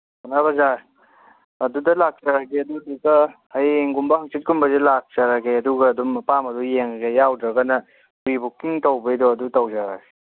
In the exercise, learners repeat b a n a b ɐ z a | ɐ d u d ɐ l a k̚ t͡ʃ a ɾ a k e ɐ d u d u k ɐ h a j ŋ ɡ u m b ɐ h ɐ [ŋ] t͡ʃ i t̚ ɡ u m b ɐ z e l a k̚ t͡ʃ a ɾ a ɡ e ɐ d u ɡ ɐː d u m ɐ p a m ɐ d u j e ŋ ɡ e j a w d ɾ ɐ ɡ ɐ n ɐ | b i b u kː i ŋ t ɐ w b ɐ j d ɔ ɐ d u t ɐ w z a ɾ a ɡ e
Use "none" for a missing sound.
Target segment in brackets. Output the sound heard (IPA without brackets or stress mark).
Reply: ŋ